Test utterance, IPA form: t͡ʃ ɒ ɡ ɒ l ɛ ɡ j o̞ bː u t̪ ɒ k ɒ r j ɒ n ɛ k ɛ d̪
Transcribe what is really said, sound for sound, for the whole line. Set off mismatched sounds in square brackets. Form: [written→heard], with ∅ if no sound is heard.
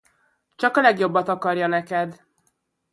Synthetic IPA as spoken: t͡ʃ ɒ [ɡ→k] ɒ l ɛ ɡ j o̞ bː [u→ɒ] t̪ ɒ k ɒ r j ɒ n ɛ k ɛ d̪